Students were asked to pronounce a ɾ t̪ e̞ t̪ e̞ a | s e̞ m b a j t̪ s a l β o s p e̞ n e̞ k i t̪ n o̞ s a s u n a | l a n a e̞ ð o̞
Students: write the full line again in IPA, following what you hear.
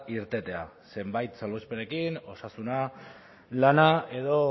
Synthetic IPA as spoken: i ɾ t̪ e̞ t̪ e̞ a | s e̞ m b a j t̪ s a l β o s p e̞ n e̞ k i n o̞ s a s u n a | l a n a e̞ ð o̞

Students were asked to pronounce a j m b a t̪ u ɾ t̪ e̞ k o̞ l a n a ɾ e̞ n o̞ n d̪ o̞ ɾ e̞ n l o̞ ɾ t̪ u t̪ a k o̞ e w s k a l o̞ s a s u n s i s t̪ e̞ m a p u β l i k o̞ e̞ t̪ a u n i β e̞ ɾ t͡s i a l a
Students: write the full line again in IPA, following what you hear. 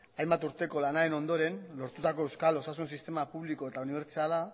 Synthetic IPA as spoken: a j m b a t̪ u ɾ t̪ e̞ k o̞ l a n a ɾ e̞ n o̞ n d̪ o̞ ɾ e̞ n l o̞ ɾ t̪ u t̪ a k o̞ e w s k a l o̞ s a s u n s i s t̪ e̞ m a p u β l i k o̞ e̞ t̪ a u n i β e̞ ɾ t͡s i a l a

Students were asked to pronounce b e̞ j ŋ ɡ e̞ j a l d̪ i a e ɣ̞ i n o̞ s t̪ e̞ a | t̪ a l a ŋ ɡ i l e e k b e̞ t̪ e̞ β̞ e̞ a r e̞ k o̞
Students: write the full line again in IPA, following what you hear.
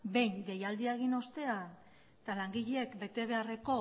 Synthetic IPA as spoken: b e̞ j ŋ ɡ e̞ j a l d̪ i a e ɣ̞ i n o̞ s t̪ e̞ a | t̪ a l a ŋ ɡ i ʎ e e k b e̞ t̪ e̞ β̞ e̞ a r e̞ k o̞

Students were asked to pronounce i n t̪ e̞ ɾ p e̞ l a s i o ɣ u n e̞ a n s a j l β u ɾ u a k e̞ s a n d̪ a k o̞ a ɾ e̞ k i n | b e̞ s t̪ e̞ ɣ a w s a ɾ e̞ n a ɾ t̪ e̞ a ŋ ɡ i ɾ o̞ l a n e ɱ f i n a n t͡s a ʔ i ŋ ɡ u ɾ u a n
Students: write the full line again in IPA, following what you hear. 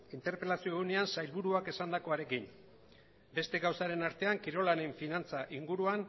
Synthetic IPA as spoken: i n t̪ e̞ ɾ p e̞ l a s i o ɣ u n e̞ a n s a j l β u ɾ u a k e̞ s a n d̪ a k o̞ a ɾ e̞ k i n | b e̞ s t̪ e̞ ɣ a w s a ɾ e̞ n a ɾ t̪ e̞ a ŋ k i ɾ o̞ l a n e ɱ f i n a n t͡s a ʔ i ŋ ɡ u ɾ u a n

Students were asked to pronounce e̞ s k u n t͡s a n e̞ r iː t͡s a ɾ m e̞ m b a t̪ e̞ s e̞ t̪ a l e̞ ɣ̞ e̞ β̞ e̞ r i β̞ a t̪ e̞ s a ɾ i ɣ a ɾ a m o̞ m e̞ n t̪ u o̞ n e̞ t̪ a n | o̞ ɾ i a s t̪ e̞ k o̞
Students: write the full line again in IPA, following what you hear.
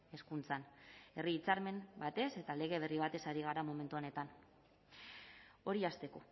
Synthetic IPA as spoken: e̞ s k u n t͡s a n e̞ r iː t͡s a ɾ m e̞ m b a t̪ e̞ s e̞ t̪ a l e̞ ɣ̞ e̞ β̞ e̞ r i β̞ a t̪ e̞ s a ɾ i ɣ a ɾ a m o̞ m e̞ n t̪ u o̞ n e̞ t̪ a n | o̞ ɾ i a s t̪ e̞ k o̞

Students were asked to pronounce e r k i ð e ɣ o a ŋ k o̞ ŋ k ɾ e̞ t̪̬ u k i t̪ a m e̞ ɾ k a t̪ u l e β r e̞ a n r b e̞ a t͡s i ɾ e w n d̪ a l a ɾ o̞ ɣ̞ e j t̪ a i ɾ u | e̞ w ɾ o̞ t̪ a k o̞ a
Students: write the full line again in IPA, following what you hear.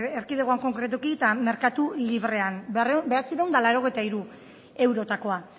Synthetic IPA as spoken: e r k i ð e ɣ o a ŋ k o̞ ŋ k ɾ e̞ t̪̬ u k i t̪ a m e̞ ɾ k a t̪ u l i β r e̞ a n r b e̞ a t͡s i ɾ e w n d̪ a l a ɾ o̞ ɣ̞ e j t̪ a i ɾ u | e̞ w ɾ o̞ t̪ a k o̞ a

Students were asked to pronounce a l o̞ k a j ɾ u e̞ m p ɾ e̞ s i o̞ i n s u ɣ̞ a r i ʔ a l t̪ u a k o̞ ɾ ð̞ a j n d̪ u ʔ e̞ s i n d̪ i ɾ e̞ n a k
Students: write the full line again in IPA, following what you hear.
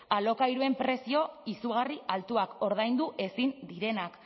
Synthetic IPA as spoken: a l o̞ k a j ɾ u e̞ m p ɾ e̞ s i o̞ i s u ɣ̞ a r i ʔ a l t̪ u a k o̞ ɾ ð̞ a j n d̪ u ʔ e̞ s i n d̪ i ɾ e̞ n a k

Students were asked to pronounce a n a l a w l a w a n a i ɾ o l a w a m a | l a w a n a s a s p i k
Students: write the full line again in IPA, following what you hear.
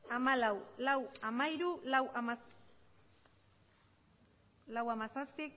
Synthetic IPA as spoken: a m a l a w l a w a m a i ɾ u l a w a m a | l a w a m a s a s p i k

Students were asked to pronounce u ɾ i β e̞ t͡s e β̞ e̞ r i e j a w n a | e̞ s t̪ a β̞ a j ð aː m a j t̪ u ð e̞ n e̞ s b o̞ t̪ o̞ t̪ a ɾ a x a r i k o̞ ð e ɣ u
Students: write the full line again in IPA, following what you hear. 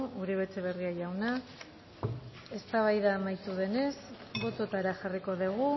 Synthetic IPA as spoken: u ɾ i β e̞ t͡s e β̞ e̞ r i a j a w n a | e̞ s t̪ a β̞ a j ð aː m a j t̪ u ð e̞ n e̞ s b o̞ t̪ o̞ t̪ a ɾ a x a r i k o̞ ð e ɣ u

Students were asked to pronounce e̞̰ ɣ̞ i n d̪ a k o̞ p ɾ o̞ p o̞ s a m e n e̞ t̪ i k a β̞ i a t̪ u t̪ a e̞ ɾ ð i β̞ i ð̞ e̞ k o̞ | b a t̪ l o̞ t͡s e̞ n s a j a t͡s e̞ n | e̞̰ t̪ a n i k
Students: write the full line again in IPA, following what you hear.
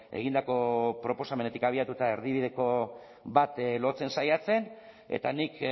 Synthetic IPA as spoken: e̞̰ ɣ̞ i n d̪ a k o̞ p ɾ o̞ p o̞ s a m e n e̞ t̪ i k a β̞ i a t̪ u t̪ a e̞ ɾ ð i β̞ i ð̞ e̞ k o̞ | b a t̪ l o̞ t͡s e̞ n s a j a t͡s e̞ n | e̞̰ t̪ a n i k

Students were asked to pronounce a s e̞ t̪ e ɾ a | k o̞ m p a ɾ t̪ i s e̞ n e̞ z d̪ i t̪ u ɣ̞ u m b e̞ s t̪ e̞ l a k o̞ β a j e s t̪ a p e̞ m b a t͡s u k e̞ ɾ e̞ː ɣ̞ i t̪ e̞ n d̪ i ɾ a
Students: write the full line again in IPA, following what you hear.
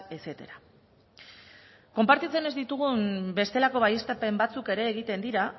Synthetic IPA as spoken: e s e̞ t̪ e ɾ a | k o̞ m p a ɾ t̪ i t͡s e̞ n e̞ z d̪ i t̪ u ɣ̞ u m b e̞ s t̪ e̞ l a k o̞ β a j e s t̪ a p e̞ m b a t͡s u k e̞ ɾ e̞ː ɣ̞ i t̪ e̞ n d̪ i ɾ a

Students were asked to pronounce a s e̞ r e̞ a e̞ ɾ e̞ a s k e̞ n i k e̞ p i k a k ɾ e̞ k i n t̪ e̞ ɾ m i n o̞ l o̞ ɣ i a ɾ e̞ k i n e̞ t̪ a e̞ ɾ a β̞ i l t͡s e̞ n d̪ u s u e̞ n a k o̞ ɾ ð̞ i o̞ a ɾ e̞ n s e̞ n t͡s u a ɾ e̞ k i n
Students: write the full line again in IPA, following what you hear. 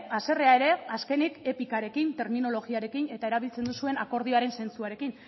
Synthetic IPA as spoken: a s e̞ r e̞ a e̞ ɾ e̞ a s k e̞ n i k e̞ p i k a ɾ e̞ k i n t̪ e̞ ɾ m i n o̞ l o̞ ɣ i a ɾ e̞ k i n e̞ t̪ a e̞ ɾ a β̞ i l t͡s e̞ n d̪ u s u e̞ n a k o̞ ɾ ð̞ i o̞ a ɾ e̞ n s e̞ n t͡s u a ɾ e̞ k i n

